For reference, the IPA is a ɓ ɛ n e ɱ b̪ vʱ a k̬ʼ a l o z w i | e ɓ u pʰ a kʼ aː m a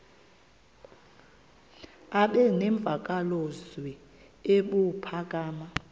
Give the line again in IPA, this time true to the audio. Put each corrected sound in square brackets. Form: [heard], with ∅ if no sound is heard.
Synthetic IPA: a ɓ ɛ n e ɱ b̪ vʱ a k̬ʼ a l o z w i | e ɓ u pʰ a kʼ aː m a